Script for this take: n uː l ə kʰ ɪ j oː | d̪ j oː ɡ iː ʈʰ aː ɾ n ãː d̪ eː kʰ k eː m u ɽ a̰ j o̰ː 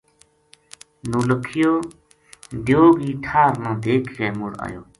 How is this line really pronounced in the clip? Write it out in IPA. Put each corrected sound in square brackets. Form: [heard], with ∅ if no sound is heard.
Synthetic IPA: n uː l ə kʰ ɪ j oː | d̪ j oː ɡ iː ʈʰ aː ɾ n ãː d̪ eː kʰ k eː m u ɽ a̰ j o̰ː